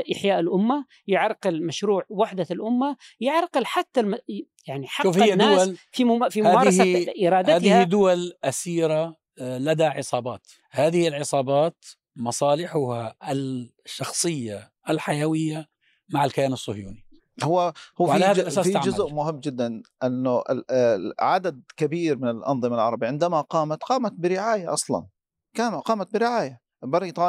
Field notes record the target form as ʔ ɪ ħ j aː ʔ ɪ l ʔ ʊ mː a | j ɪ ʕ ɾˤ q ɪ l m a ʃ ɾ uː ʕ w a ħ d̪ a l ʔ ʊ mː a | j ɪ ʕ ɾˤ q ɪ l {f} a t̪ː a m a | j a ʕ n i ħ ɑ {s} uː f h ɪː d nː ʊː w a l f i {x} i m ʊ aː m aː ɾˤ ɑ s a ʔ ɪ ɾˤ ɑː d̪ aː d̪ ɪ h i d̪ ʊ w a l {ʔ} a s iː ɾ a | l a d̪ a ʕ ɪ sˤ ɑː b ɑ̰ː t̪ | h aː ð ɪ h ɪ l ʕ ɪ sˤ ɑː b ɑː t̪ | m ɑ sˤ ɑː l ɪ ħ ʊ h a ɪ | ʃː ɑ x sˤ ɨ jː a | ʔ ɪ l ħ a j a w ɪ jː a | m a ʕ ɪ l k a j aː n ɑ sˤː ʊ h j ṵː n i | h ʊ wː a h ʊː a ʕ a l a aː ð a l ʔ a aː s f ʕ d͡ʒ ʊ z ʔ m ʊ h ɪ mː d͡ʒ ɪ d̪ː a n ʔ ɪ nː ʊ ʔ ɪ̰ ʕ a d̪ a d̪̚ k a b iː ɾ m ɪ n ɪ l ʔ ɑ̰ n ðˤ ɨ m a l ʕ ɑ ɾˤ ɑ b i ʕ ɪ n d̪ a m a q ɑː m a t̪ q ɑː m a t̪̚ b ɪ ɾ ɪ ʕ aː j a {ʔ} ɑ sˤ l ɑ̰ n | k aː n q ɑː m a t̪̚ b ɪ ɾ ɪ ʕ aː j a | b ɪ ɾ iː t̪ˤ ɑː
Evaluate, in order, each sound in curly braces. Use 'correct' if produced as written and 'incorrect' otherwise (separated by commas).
incorrect, incorrect, incorrect, correct, correct